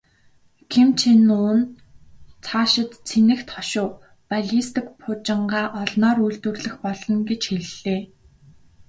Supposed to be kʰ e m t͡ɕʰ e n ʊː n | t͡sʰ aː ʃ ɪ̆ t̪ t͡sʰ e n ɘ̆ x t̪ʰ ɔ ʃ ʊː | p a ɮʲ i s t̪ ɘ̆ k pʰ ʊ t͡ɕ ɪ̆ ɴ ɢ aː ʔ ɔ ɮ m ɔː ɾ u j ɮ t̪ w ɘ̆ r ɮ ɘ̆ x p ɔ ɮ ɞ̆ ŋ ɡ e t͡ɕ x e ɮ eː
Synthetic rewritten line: kʰ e m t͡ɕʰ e n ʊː n | t͡sʰ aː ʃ ɪ̆ t̪ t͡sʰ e n ɘ̆ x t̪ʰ ɔ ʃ ʊː | p a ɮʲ i s t̪ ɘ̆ k pʰ ʊ t͡ɕ ɪ̆ ɴ ɢ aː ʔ ɔ ɮ n ɔː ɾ u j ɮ t̪ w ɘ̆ r ɮ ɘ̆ x p ɔ ɮ ɞ̆ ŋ ɡ e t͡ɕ x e ɮ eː